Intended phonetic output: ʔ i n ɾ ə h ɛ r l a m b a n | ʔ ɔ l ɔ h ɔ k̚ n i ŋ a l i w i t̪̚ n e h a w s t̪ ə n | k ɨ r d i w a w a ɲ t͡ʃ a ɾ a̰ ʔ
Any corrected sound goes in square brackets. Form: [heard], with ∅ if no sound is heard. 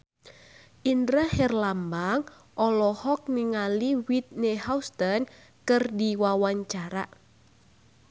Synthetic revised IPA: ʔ i n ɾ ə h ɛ r l a m b a [ŋ] | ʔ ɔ l ɔ h ɔ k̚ n i ŋ a l i w i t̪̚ n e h a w s t̪ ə n | k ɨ r d i w a w a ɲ t͡ʃ a ɾ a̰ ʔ